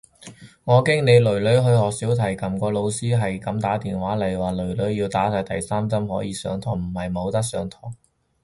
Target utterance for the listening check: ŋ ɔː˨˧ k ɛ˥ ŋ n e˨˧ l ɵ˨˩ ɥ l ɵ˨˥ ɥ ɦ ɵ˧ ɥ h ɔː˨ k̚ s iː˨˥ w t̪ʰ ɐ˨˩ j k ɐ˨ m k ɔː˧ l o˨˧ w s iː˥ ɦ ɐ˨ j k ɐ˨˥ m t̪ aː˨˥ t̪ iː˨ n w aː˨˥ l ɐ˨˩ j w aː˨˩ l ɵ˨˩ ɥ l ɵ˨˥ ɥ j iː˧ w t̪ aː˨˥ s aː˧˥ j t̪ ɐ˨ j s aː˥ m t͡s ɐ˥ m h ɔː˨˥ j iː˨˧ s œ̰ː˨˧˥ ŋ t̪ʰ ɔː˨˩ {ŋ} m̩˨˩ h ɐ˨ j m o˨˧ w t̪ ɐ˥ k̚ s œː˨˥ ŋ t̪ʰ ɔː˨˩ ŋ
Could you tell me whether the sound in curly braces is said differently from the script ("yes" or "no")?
no